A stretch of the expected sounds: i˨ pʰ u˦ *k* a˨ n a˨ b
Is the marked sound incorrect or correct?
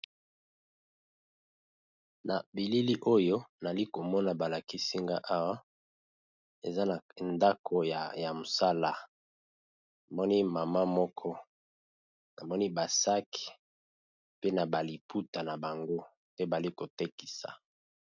incorrect